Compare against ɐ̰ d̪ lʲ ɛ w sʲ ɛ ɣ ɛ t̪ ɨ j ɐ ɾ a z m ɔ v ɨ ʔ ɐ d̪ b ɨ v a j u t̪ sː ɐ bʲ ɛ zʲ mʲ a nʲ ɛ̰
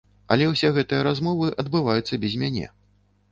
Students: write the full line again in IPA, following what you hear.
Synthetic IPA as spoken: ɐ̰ lʲ ɛ w sʲ ɛ ɣ ɛ t̪ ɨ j ɐ ɾ a z m ɔ v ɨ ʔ ɐ d̪ b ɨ v a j u t̪ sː ɐ bʲ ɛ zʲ mʲ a nʲ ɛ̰